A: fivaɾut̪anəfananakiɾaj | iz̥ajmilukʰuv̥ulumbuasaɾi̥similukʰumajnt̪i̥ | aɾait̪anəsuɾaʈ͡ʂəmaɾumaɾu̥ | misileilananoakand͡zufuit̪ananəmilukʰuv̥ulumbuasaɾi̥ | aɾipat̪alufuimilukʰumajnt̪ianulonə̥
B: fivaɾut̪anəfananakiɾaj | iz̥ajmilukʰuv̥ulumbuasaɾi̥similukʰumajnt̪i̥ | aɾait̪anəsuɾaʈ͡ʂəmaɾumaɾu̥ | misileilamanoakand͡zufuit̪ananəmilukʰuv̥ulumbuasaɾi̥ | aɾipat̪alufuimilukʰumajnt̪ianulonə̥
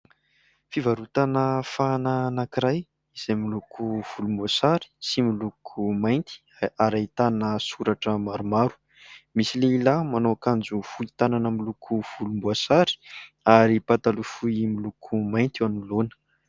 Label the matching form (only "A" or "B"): B